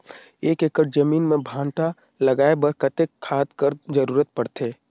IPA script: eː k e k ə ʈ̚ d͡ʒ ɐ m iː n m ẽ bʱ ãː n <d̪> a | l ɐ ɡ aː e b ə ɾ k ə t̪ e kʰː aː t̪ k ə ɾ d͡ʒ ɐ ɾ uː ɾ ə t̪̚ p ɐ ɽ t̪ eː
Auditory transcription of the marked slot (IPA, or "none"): t̪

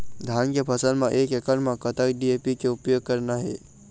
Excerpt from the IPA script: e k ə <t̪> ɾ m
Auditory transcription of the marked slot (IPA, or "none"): none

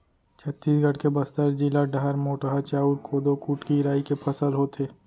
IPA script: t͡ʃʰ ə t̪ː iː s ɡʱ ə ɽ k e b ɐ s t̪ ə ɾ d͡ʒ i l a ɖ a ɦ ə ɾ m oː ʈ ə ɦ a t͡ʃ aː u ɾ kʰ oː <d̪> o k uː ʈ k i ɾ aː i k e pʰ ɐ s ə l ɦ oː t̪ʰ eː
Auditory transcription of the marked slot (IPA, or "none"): d̪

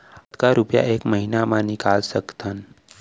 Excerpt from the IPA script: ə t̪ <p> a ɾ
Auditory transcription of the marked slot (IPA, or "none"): k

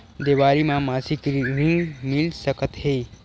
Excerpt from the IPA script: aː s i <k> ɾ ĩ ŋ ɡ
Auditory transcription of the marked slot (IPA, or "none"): k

